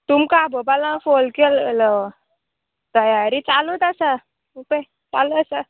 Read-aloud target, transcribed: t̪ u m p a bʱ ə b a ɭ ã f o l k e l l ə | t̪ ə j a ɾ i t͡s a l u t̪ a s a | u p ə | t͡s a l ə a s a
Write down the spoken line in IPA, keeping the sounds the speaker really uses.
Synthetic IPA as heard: t̪ u m k a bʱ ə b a l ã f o l k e l l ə | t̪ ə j a ɾ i t͡s a l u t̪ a s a | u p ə | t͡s a l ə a s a

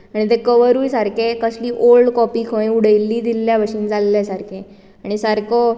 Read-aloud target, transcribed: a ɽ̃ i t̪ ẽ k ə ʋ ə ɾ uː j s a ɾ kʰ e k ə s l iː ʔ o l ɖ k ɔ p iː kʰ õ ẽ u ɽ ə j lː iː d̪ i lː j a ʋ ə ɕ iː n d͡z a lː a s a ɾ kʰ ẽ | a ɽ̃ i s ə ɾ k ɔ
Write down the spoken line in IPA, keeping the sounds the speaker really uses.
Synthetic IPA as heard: a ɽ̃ i t̪ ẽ k ə ʋ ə ɾ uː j s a ɾ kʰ e k ə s l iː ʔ o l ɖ k ɔ p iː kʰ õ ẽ u ɽ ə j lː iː d̪ i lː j a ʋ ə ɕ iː n d͡z a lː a s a ɾ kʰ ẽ | a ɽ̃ i s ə ɾ k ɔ

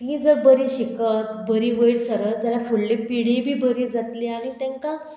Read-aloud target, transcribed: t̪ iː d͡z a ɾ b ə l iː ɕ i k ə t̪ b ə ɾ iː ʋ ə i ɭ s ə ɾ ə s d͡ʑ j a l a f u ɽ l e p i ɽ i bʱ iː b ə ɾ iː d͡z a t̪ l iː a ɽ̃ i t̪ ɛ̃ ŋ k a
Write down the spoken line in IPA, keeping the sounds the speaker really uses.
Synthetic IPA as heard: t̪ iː d͡z ə ɾ b ə ɾ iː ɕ i k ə t̪ b ə ɾ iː ʋ ə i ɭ s ə ɾ ə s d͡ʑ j a l a f u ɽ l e p i ɽ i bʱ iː b ə ɾ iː d͡z a t̪ l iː a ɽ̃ i t̪ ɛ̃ ŋ k a

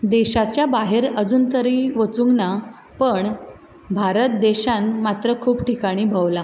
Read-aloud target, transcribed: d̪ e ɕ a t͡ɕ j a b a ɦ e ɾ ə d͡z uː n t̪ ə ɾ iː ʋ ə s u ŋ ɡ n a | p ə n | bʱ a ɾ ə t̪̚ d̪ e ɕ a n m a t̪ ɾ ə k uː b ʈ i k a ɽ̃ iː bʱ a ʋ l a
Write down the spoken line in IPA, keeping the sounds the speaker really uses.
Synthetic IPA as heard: d̪ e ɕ a t͡ɕ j a b a ɦ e ɾ ə d͡z uː n t̪ ə ɾ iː ʋ ə t͡s u ŋ ɡ n a | p ə ɳ | bʱ a ɾ ə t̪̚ d̪ e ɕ a n m a t̪ ɾ ə kʰ uː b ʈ i k a ɽ̃ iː bʱ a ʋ l a

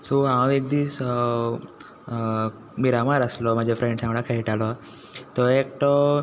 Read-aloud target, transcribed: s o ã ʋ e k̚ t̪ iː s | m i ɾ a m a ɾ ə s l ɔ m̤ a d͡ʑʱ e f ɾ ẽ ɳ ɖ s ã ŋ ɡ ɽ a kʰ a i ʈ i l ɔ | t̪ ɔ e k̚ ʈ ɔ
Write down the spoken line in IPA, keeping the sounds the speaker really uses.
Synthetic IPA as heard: s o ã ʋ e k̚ d̪ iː s | m i ɾ a m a ɾ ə s l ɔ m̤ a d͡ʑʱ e f ɾ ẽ ɳ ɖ s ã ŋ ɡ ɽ a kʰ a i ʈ a l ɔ | t̪ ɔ e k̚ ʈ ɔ

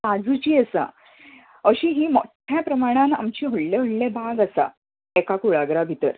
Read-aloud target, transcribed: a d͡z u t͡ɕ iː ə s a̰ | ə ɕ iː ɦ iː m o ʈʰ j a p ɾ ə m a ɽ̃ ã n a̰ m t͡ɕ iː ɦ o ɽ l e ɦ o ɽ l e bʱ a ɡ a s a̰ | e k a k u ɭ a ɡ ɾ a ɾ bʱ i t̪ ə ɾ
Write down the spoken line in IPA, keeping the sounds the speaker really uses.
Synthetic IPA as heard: a d͡z u t͡ɕ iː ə s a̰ | ə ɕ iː ɦ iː m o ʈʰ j a p ɾ ə m a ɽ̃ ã n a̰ m t͡ɕ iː ɦ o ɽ l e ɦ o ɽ l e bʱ a ɡ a s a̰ | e k a k u ɭ a ɡ ɾ a bʱ i t̪ ə ɾ

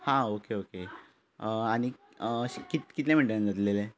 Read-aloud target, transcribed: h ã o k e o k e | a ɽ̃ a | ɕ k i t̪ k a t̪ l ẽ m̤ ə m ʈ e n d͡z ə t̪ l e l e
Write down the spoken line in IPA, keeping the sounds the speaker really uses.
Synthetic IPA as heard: h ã o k e o k e | a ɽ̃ i | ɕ k i t̪ k i t̪ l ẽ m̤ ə ɳ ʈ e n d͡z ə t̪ l e l e

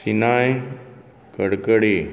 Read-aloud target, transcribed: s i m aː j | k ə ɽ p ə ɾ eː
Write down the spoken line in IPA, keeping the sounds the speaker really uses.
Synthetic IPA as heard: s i n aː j | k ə ɽ k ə ɽ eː

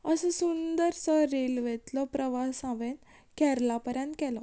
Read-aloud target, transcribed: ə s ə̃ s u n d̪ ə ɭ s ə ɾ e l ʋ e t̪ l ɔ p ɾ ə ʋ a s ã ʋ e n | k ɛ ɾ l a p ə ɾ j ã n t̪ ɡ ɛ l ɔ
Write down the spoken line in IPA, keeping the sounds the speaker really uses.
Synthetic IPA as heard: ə s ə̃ s u n d̪ ə ɾ s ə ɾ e l ʋ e t̪ l ɔ p ɾ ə ʋ a s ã ʋ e n | k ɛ ɾ l a p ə ɾ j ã n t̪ k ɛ l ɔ

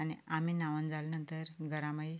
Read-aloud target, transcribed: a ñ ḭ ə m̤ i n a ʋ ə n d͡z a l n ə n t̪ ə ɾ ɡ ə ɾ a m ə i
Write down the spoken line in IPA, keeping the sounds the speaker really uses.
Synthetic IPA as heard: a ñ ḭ a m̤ i n a ʋ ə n d͡z a l n ə n t̪ ə ɾ ɡ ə ɾ a m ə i

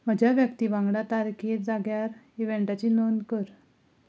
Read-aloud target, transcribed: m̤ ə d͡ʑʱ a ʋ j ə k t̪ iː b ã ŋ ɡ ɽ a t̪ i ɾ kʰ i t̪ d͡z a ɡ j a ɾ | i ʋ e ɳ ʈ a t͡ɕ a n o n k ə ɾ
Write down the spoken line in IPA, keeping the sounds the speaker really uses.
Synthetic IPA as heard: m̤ ə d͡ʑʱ a ʋ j ə k t̪ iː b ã ŋ ɡ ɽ a t̪ a ɾ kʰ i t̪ d͡z a ɡ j a ɾ | i ʋ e ɳ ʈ a t͡ɕ i n o n k ə ɾ

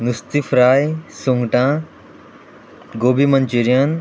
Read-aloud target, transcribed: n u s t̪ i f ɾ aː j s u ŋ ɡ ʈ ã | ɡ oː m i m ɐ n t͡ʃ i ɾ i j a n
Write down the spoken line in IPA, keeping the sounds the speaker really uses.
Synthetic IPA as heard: n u s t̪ i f ɾ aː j s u ŋ ɡ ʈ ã | ɡ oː b i m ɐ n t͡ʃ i ɾ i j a n

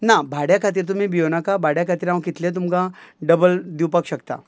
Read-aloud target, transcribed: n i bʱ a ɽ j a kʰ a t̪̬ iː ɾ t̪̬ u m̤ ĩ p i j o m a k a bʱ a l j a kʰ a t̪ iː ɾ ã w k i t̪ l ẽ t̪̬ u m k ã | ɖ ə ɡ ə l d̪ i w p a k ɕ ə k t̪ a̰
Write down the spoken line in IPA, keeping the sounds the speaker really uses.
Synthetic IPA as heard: n a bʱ a ɽ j a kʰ a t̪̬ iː ɾ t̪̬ u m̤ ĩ b i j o n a k a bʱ a ɽ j a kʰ a t̪ iː ɾ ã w k i t̪ l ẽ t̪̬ u m k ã | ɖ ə b ə l d̪ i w p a k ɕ ə k t̪ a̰

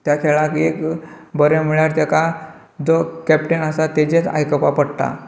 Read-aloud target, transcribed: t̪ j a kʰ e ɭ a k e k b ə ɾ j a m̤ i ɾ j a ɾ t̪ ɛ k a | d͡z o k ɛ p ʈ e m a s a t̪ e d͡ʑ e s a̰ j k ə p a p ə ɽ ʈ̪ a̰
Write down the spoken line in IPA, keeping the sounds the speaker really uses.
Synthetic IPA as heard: t̪ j a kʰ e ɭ a k e k b ə ɾ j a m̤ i ɭ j a ɾ t̪ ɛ k a | d͡z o k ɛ p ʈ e n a s a t̪ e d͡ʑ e t͡s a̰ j k ə p a p ə ɽ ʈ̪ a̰

